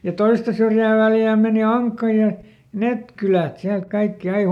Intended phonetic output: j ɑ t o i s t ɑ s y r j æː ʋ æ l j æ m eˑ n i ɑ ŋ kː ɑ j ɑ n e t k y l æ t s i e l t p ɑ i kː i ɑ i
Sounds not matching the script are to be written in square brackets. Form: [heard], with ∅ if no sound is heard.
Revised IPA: j ɑ t o i s t ɑ s y r j æː ʋ æ l j [æː] m eˑ n i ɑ ŋ kː ɑ j ɑ n e t k y l æ t s i [æ] l t [k] ɑ i kː i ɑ i